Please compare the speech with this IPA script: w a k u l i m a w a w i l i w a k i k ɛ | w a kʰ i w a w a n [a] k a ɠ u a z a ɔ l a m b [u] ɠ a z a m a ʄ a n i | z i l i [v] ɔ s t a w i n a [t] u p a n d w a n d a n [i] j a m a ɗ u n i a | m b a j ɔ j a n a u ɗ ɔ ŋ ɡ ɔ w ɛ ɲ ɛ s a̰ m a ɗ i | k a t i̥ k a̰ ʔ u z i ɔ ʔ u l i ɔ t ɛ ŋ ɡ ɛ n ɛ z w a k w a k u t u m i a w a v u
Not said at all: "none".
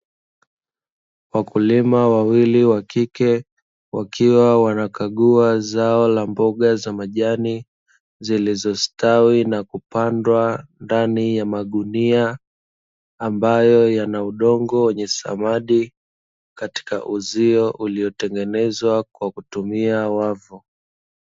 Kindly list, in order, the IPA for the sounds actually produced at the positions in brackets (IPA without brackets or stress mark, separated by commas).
a, ɔ, z, k, i